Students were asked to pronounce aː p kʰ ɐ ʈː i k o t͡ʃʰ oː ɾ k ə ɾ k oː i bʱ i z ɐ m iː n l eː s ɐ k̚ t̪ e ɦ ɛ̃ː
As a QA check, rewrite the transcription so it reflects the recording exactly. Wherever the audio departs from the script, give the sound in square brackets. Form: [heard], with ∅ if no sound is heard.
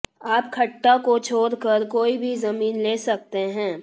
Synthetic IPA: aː p kʰ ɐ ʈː [a] k o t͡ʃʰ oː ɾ k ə ɾ k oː i bʱ i z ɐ m iː n l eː s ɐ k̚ t̪ e ɦ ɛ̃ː